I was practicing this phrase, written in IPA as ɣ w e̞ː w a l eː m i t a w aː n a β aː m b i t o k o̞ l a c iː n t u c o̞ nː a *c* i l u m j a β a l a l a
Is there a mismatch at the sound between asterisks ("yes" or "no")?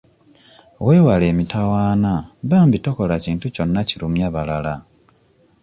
no